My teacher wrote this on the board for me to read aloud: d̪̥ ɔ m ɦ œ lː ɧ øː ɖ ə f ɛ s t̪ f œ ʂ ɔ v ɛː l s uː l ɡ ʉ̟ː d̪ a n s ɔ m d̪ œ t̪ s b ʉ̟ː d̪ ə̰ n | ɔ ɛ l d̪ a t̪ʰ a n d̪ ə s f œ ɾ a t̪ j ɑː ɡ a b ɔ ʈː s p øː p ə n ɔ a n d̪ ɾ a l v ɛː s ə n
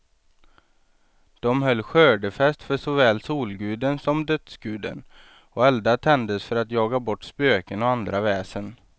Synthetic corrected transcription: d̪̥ ɔ m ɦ œ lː ɧ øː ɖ ə f ɛ s t̪ f œ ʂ ɔ v ɛː l s uː l ɡ ʉ̟ː d̪ ə n s ɔ m d̪ œ t̪ s ɡ ʉ̟ː d̪ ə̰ n | ɔ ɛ l d̪ a t̪ʰ ɛ n d̪ ə s f œ ɾ a t̪ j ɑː ɡ a b ɔ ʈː s p øː k ə n ɔ a n d̪ ɾ a v ɛː s ə n